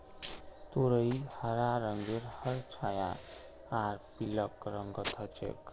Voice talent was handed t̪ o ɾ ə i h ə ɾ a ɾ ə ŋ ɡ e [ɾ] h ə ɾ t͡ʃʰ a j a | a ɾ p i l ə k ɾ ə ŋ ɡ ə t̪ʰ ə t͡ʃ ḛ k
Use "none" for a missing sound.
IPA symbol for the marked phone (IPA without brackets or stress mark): ɾ